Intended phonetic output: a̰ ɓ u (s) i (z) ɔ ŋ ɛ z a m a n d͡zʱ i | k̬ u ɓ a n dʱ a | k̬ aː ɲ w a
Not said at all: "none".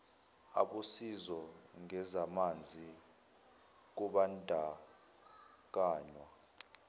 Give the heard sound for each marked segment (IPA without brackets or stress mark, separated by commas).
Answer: s, z